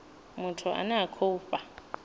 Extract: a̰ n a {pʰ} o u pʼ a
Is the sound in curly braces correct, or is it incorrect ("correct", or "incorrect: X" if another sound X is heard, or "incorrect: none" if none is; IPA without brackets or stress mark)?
incorrect: kʰ